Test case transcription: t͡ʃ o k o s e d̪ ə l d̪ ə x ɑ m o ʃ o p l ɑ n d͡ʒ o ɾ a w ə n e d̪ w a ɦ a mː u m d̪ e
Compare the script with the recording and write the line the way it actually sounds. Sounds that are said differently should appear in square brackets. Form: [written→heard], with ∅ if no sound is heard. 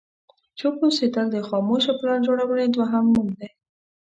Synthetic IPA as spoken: t͡ʃ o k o s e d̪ ə l d̪ ə x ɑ m o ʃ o p l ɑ n d͡ʒ o [ɾ→ɽ] a w ə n e d̪ w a ɦ a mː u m d̪ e